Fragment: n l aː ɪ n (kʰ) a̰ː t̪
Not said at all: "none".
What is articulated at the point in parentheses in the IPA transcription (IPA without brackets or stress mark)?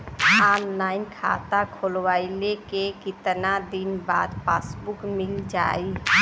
kʰ